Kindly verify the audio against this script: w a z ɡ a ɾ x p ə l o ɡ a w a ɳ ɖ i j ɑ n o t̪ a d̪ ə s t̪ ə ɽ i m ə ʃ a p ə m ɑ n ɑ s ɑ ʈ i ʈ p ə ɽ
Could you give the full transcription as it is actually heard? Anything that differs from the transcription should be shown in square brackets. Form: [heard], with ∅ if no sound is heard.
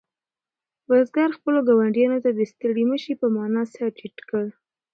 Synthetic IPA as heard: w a z ɡ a ɾ x p ə l o ɡ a w a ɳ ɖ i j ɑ n o t̪ a d̪ ə s t̪ ə ɽ i m ə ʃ [i] p ə m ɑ n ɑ s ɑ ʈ i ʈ [k] ə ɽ